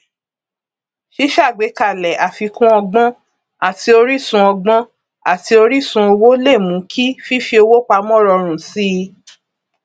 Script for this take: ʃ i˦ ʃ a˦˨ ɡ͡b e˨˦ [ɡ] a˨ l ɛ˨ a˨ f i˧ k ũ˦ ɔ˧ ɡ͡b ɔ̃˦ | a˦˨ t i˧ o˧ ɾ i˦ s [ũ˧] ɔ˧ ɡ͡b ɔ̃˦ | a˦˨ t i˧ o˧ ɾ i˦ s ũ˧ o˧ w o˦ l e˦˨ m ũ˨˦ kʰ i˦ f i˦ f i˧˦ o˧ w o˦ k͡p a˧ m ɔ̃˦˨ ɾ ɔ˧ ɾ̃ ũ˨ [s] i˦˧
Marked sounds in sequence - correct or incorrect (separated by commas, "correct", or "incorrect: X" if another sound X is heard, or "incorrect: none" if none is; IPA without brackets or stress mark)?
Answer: incorrect: k, correct, correct